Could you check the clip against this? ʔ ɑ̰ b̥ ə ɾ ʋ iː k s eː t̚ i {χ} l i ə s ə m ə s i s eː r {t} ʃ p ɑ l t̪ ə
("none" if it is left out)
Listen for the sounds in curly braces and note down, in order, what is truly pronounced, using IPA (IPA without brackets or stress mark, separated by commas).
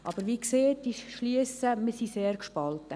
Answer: ʃ, k